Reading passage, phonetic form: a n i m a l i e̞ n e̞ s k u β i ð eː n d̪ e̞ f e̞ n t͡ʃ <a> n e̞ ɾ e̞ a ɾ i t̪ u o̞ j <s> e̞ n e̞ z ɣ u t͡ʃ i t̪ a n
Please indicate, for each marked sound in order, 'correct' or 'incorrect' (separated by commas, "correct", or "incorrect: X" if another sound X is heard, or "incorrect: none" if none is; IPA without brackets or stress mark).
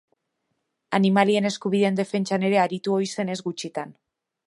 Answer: correct, correct